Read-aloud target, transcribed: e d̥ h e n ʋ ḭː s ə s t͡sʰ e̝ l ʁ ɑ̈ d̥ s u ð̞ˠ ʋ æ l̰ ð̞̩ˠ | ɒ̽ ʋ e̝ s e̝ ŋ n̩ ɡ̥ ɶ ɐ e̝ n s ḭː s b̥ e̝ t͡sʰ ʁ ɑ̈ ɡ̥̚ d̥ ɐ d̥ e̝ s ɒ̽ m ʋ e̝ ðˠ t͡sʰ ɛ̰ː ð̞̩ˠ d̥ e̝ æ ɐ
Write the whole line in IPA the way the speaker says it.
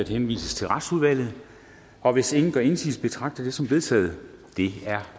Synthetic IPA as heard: æ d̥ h e n ʋ ḭː s ə s t͡sʰ e̝ l ʁ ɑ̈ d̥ s u ð̞ˠ ʋ æ l̰ ð̞̩ˠ | ɒ̽ ʋ e̝ s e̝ ŋ n̩ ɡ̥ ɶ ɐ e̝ n s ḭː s b̥ e̝ t͡sʰ ʁ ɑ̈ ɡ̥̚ d̥ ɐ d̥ e̝ s ɒ̽ m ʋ e̝ ðˠ t͡sʰ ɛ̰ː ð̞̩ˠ d̥ e̝ æ ɐ